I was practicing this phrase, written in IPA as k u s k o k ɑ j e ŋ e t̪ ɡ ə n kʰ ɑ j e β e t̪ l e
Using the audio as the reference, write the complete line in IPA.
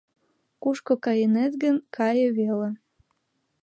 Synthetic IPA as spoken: k u ʃ k o k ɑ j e n e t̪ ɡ ə n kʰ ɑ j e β e l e

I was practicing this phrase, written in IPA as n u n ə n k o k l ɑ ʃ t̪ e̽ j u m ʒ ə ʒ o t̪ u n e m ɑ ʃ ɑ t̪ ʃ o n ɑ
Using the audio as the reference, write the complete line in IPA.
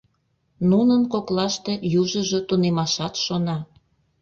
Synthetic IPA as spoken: n u n ə n k o k l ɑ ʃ t̪ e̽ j u ʒ ə ʒ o t̪ u n e m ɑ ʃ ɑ t̪ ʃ o n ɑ

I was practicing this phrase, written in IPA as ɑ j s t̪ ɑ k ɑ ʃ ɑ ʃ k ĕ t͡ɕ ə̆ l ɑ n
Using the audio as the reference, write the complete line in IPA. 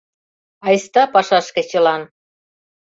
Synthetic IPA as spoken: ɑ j s t̪ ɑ p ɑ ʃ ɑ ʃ k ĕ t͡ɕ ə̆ l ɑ n

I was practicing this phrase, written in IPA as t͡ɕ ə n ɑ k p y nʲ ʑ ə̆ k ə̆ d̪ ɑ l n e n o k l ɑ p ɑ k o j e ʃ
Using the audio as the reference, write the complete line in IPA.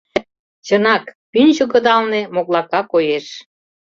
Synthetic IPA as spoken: t͡ɕ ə n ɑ k p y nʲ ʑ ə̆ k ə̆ d̪ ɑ l n e m o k l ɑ k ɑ k o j e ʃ

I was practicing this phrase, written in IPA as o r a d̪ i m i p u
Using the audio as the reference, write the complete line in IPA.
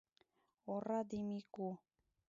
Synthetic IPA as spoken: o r a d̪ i m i k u

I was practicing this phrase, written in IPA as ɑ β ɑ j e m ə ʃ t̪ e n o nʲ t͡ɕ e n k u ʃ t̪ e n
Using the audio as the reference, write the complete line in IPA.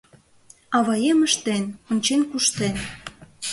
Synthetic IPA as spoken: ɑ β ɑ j e m ə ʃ t̪ e n o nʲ t͡ɕ e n k u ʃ t̪ e n

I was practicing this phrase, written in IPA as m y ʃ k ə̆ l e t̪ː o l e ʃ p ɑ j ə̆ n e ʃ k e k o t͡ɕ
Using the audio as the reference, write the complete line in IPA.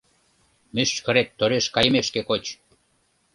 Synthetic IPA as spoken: m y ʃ k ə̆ ɾ e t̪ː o ɾ e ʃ k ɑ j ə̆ m e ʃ k e k o t͡ɕ

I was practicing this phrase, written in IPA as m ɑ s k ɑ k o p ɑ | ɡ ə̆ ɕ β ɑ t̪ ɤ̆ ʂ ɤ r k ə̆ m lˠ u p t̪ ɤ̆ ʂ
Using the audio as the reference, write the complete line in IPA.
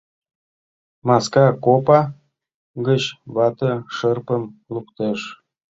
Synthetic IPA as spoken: m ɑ s k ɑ k o p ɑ | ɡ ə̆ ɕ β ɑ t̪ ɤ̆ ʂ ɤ r p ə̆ m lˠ u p t̪ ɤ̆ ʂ

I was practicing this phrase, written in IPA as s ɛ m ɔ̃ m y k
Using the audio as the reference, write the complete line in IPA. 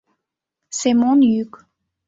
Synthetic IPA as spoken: s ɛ m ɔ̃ n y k

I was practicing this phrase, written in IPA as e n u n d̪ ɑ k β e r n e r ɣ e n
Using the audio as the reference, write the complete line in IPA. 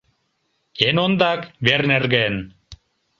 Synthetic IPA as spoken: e n o n d̪ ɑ k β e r n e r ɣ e n

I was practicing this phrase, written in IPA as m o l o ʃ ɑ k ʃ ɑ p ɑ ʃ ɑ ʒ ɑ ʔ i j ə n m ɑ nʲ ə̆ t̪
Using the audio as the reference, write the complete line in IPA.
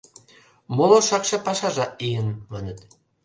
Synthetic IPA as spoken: m o l o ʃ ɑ k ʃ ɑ p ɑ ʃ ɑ ʒ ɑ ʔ i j ə n m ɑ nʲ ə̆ t̪

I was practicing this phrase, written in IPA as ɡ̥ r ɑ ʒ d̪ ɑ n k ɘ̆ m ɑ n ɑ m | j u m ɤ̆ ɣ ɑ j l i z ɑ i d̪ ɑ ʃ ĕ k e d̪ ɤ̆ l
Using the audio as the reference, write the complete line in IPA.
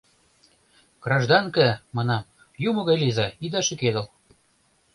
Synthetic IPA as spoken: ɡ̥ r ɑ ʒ d̪ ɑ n k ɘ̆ m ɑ n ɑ m | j u m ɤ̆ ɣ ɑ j l i z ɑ i d̪ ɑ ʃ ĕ k e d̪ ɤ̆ l

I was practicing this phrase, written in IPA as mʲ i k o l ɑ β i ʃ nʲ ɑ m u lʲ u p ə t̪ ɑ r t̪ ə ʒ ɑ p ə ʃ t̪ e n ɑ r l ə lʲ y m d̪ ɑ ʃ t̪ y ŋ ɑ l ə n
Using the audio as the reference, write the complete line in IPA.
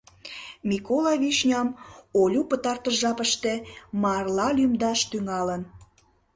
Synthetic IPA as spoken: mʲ i k o l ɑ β i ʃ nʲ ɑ m o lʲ u p ə t̪ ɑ r t̪ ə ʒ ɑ p ə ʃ t̪ e m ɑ r l ɑ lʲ y m d̪ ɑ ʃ t̪ y ŋ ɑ l ə n

